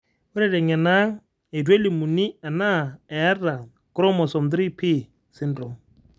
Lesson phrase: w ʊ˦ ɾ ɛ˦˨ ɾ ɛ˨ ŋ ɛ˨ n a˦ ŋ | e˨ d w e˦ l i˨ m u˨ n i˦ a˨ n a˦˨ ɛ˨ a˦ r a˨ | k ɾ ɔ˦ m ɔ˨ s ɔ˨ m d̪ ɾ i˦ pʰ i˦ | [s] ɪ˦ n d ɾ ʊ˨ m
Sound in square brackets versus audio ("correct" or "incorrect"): correct